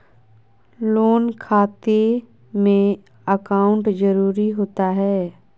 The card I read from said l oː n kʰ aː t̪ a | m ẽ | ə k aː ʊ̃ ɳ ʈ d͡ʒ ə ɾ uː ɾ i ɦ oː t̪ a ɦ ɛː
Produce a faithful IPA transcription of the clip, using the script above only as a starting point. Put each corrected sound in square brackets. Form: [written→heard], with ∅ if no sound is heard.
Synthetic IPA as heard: l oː n kʰ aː t̪ [a→e] | m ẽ | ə k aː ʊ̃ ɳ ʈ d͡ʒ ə ɾ uː ɾ i ɦ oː t̪ a ɦ ɛː